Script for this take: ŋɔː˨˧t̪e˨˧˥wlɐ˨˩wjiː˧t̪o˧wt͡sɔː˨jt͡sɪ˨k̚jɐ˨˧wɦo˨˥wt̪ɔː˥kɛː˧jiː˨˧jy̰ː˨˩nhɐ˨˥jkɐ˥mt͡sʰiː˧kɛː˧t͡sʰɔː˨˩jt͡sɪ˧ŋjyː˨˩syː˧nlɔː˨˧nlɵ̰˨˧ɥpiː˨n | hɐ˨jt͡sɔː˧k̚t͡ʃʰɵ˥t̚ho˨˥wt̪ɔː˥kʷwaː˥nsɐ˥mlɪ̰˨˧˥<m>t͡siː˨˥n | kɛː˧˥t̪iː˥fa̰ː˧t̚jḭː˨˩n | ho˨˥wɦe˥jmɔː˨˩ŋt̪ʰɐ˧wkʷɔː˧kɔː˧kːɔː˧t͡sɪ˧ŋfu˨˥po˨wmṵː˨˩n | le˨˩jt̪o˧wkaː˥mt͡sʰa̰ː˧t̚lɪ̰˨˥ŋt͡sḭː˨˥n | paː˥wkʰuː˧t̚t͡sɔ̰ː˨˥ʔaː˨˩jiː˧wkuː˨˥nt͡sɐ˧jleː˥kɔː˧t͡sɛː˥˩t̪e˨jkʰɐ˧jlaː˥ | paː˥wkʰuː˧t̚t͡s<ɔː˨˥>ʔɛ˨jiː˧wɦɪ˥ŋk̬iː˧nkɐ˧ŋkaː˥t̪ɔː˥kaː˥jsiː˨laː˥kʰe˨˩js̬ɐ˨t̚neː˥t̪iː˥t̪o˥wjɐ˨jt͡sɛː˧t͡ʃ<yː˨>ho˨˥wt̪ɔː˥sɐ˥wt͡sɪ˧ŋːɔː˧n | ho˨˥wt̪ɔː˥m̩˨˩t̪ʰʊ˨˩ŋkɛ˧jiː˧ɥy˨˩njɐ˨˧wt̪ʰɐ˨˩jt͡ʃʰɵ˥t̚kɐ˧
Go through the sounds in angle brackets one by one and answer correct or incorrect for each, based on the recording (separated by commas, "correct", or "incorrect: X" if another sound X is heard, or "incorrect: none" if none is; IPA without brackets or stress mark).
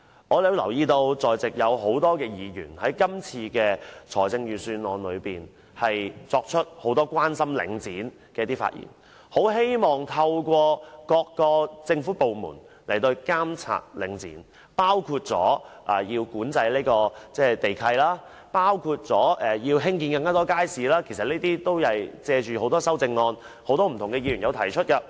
incorrect: ŋ, correct, correct